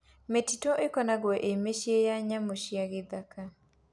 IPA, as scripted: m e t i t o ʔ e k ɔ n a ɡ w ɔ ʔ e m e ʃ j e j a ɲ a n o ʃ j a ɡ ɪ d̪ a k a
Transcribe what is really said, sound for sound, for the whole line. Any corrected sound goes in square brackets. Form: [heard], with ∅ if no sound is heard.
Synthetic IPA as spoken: m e t i t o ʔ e k ɔ n a ɡ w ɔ ʔ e m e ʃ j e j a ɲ a [m] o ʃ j a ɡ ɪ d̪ a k a